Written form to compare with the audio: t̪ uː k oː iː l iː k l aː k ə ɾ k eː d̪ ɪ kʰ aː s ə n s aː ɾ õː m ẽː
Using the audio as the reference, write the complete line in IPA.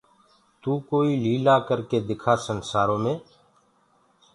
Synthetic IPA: t̪ uː k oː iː l iː l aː k ə ɾ k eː d̪ ɪ kʰ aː s ə n s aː ɾ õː m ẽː

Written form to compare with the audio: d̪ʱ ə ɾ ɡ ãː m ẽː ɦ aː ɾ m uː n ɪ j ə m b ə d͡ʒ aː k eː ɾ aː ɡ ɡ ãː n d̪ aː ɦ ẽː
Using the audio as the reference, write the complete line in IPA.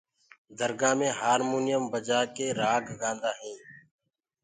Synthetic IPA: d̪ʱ ə ɾ ɡ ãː m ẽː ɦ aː ɾ m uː n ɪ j ə m b ə d͡ʒ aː k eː ɾ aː ɡ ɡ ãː n d̪ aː ɦ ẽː

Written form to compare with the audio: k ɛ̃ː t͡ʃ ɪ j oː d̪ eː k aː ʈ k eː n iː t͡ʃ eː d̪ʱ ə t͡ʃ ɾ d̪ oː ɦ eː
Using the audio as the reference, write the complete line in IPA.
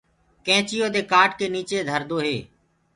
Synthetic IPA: k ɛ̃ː t͡ʃ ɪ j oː d̪ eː k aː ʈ k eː n iː t͡ʃ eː d̪ʱ ə ɾ d̪ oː ɦ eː

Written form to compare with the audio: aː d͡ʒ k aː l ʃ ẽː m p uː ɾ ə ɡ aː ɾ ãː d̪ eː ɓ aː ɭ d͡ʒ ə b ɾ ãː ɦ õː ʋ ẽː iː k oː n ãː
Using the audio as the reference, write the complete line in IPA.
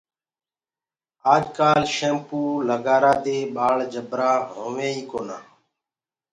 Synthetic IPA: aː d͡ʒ k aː l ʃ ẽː m p uː l ə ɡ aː ɾ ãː d̪ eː ɓ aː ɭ d͡ʒ ə b ɾ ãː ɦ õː ʋ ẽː iː k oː n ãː

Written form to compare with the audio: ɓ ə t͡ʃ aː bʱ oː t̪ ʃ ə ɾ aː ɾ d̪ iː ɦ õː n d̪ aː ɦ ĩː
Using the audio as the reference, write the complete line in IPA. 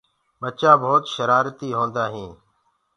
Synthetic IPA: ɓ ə t͡ʃ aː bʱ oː t̪ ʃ ə ɾ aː ɾ t̪ iː ɦ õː n d̪ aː ɦ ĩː

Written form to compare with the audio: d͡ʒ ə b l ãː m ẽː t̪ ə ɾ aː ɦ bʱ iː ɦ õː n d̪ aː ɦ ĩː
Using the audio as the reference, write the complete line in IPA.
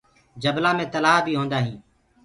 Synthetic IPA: d͡ʒ ə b l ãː m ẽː t̪ ə l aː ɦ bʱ iː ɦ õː n d̪ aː ɦ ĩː

